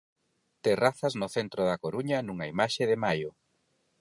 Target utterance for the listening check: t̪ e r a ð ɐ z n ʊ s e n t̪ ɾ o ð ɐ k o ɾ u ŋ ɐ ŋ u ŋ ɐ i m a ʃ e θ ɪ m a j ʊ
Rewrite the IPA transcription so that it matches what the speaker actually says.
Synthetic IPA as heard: t̪ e r a θ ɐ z n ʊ θ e n t̪ ɾ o ð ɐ k o ɾ u ɲ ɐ n u ŋ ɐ i m a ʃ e ð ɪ m a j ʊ